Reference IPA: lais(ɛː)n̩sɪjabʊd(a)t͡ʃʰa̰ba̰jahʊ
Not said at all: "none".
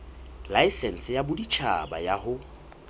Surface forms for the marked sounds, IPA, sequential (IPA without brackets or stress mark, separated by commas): ɛ, i